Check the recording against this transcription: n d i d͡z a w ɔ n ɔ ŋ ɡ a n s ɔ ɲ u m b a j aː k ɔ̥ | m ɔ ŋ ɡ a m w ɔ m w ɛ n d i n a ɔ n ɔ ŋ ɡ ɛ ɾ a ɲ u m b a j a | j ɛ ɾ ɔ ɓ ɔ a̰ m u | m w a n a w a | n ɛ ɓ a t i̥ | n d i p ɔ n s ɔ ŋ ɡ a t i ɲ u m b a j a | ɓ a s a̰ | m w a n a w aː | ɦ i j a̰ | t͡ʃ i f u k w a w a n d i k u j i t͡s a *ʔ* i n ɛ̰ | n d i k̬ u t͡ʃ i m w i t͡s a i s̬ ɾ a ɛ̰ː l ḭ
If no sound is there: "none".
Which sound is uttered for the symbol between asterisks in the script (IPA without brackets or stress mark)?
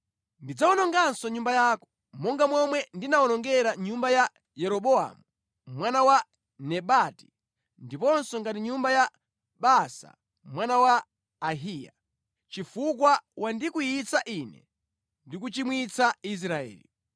ʔ